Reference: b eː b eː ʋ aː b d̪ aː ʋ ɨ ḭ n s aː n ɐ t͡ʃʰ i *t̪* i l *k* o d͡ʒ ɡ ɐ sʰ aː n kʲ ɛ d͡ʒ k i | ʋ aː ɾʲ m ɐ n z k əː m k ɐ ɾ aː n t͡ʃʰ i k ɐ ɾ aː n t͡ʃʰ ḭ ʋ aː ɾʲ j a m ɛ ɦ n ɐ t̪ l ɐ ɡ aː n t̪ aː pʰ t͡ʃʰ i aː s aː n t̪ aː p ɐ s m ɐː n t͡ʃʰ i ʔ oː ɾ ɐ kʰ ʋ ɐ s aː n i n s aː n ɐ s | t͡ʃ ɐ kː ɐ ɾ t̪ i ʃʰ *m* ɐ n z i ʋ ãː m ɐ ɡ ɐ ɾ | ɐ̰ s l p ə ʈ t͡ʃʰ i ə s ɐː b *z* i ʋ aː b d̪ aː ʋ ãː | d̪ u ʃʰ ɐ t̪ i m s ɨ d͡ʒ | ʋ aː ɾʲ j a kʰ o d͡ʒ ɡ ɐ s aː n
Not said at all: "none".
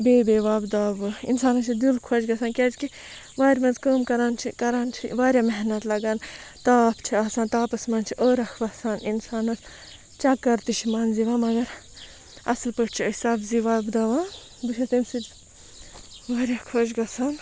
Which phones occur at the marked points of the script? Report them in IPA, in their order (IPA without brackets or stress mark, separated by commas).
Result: d̪, kʰ, m, z